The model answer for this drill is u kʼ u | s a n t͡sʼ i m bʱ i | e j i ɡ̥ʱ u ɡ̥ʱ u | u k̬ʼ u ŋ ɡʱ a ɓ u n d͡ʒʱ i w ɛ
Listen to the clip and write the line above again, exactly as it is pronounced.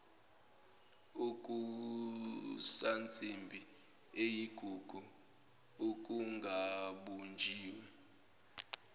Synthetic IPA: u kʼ u | s a n t͡sʼ i m bʱ i | e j i ɡ̥ʱ u ɡ̥ʱ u | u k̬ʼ u ŋ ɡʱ a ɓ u n d͡ʒʱ iː w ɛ